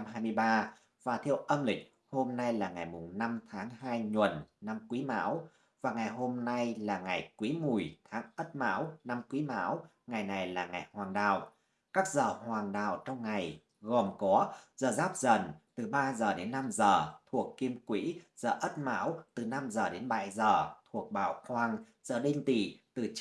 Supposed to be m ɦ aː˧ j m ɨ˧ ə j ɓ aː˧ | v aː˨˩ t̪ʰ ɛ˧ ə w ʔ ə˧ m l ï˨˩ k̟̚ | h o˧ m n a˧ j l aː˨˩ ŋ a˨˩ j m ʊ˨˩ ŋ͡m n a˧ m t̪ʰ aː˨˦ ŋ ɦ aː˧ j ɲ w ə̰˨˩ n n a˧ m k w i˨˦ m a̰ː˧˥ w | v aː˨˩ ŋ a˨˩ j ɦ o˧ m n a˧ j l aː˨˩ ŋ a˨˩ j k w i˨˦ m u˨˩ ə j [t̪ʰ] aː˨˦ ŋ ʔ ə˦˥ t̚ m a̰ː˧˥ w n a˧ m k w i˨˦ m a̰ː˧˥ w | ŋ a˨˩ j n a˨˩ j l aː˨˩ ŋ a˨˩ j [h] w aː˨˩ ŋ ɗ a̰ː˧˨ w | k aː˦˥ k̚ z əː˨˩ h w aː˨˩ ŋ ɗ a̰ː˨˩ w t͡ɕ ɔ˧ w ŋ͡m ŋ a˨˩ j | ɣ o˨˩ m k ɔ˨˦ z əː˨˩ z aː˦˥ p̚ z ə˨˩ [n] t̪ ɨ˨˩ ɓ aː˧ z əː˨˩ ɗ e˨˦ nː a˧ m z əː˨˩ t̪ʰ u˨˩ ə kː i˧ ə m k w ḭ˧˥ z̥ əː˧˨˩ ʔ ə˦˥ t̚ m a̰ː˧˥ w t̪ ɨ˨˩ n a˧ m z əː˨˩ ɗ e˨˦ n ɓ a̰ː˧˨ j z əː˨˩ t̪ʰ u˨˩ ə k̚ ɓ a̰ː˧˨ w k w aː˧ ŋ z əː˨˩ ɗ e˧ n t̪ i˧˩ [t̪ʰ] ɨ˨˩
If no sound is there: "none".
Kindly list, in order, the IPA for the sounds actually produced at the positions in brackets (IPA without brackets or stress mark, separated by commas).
t̪ʰ, h, n, t̪